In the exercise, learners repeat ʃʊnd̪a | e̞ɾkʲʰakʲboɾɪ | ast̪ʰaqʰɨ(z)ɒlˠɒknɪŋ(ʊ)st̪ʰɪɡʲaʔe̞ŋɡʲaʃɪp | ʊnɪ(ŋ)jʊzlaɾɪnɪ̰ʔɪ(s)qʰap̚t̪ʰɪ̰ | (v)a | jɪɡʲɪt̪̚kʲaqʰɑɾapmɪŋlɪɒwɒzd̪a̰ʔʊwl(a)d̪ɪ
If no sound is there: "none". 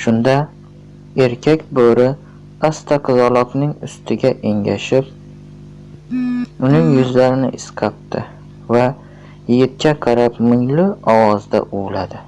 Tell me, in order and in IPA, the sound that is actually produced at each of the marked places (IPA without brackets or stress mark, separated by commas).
z, ʊ, ŋ, s, v, a